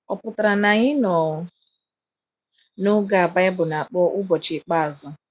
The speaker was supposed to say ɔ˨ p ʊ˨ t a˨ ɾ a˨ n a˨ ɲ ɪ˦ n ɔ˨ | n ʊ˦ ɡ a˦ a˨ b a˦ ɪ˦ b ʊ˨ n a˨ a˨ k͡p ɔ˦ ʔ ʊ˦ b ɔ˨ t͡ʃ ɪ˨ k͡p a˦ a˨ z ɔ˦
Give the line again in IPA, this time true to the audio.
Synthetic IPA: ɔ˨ p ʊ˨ t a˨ ɾ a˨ n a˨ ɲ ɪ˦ n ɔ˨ | n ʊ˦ ɡ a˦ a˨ b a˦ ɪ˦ b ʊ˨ n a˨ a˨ k͡p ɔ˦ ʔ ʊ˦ b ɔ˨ t͡ʃ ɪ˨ k͡p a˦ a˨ z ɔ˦